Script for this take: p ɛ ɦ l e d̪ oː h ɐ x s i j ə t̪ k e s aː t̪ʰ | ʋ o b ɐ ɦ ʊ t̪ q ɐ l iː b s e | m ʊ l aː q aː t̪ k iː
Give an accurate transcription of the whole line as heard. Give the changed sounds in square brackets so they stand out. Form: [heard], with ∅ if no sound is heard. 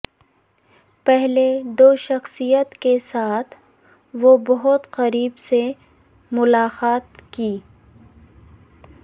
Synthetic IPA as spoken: p ɛ ɦ l e d̪ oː [ʃ] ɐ x s i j ə t̪ k e s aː t̪ʰ | ʋ o b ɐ ɦ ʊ t̪ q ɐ [ɾ] iː b s e | m ʊ l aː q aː t̪ k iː

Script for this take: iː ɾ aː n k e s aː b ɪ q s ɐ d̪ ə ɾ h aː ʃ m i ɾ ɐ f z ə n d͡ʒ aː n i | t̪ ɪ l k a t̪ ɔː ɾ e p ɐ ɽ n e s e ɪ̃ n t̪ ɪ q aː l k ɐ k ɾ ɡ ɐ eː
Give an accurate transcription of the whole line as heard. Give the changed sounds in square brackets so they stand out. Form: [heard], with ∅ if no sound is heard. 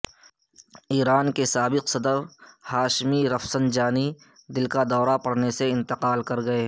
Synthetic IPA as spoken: iː ɾ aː n k e s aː b ɪ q s ɐ d̪ ə ɾ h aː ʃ m i ɾ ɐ f [s] ə n d͡ʒ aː n i | [d̪] ɪ l k a [d̪] ɔː ɾ [a] p ɐ ɽ n e s e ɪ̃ n t̪ ɪ q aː l k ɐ [∅] ɾ ɡ ɐ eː

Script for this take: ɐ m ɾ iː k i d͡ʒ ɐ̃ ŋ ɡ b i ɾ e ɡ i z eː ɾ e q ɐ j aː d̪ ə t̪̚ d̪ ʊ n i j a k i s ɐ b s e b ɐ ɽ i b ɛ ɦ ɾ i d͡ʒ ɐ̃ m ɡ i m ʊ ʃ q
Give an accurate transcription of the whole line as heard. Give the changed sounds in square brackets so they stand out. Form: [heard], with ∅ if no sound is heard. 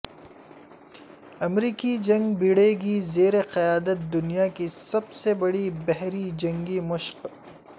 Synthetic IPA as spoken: ɐ m ɾ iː k i d͡ʒ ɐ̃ ŋ ɡ b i [ɽ] e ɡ i z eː ɾ e q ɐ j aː d̪ ə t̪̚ d̪ ʊ n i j a k i s ɐ b s e b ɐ ɽ i b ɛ ɦ ɾ i d͡ʒ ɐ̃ [ŋ] ɡ i m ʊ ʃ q

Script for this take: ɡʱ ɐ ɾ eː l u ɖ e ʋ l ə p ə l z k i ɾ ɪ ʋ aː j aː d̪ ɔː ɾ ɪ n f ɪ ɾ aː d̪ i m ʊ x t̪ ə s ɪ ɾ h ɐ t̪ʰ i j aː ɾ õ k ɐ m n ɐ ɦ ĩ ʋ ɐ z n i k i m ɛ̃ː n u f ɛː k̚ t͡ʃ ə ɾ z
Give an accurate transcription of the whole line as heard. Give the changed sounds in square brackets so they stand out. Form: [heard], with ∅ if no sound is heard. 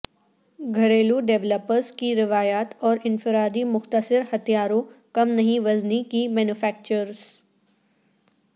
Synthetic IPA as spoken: ɡʱ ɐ ɾ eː l u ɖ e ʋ l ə p ə [ɾ] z k i ɾ ɪ ʋ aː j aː [t̪] ɔː ɾ ɪ n f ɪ ɾ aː d̪ i m ʊ x t̪ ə s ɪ ɾ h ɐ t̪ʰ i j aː ɾ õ k ɐ m n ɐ ɦ ĩ ʋ ɐ z n i k i m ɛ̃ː n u f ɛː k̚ t͡ʃ ə ɾ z

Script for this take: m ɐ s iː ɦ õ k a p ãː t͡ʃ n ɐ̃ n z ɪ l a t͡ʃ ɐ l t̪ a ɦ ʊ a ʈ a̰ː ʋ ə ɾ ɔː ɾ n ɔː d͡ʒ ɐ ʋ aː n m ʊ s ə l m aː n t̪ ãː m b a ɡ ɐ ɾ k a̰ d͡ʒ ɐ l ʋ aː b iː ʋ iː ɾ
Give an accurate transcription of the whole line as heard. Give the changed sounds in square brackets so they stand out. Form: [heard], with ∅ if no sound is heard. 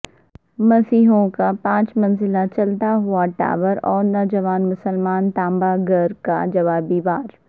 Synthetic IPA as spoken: m ɐ s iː ɦ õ k a p ãː t͡ʃ [m] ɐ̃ n z ɪ l a t͡ʃ ɐ l t̪ a ɦ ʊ a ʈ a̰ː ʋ ə ɾ ɔː ɾ n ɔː d͡ʒ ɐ ʋ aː n m ʊ s ə l m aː n t̪ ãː m b a ɡ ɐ ɾ k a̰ d͡ʒ ɐ [∅] ʋ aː b iː ʋ [aː] ɾ

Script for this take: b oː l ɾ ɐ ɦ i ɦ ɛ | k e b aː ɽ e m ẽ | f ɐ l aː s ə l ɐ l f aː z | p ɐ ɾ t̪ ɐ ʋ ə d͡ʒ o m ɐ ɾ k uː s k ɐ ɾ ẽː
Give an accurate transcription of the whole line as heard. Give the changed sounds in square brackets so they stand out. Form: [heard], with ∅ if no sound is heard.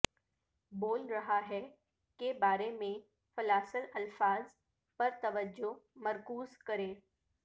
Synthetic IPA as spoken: b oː l ɾ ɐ ɦ [a] ɦ ɛ | k e b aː [ɾ] e m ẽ | f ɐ l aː s ə l ɐ l f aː z | p ɐ ɾ t̪ ɐ ʋ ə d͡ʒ o m ɐ ɾ k uː [z] k ɐ ɾ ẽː

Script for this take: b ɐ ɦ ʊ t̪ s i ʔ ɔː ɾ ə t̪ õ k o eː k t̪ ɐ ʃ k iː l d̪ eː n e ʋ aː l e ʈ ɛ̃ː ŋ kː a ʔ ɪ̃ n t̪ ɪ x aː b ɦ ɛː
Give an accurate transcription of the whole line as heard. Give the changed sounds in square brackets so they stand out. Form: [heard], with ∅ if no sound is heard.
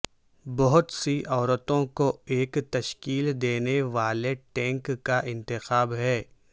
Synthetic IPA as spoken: b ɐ ɦ ʊ t̪ s i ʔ ɔː ɾ ə t̪ õ k o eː k t̪ ɐ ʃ k iː l d̪ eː n e ʋ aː l e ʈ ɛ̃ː ŋ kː a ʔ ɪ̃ n t̪ ɪ x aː b ɦ ɛː

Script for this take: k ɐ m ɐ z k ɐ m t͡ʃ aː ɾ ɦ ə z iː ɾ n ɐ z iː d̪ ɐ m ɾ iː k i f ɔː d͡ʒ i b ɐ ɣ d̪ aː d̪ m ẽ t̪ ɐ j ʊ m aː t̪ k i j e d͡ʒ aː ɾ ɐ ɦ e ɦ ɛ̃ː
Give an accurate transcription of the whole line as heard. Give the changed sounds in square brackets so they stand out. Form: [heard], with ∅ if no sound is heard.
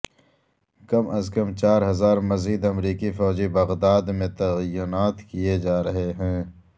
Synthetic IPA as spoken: k ɐ m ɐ z k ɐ m t͡ʃ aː ɾ ɦ [ɐ] z [aː] ɾ [m] ɐ z iː d̪ ɐ m ɾ iː k i f ɔː d͡ʒ i b ɐ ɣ d̪ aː d̪ m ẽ t̪ ɐ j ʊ [n] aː t̪ k i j e d͡ʒ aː ɾ ɐ ɦ e ɦ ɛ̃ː

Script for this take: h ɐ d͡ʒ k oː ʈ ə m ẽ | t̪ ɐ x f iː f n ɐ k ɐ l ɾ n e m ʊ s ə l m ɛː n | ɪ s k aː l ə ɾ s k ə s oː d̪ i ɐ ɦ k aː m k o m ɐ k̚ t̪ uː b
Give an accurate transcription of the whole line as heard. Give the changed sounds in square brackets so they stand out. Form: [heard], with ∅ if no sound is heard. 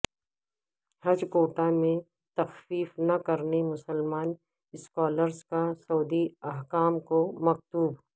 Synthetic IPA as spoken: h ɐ d͡ʒ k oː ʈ [a] m ẽ | t̪ ɐ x f iː f n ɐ k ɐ [∅] ɾ n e m ʊ s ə l m [aː] n | ɪ s k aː l ə ɾ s k [a] s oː d̪ i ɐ ɦ k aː m k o m ɐ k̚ t̪ uː b

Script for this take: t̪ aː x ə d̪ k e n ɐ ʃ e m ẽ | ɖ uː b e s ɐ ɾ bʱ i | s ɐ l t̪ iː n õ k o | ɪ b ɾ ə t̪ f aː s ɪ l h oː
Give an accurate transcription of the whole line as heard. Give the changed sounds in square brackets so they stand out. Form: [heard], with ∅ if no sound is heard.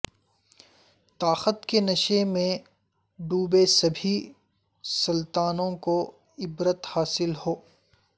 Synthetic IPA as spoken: t̪ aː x ə [t̪] k e n ɐ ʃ e m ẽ | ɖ uː b e s ɐ [∅] bʱ i | s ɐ l t̪ [aː] n õ k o | ɪ b ɾ ə t̪ [h] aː s ɪ l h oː

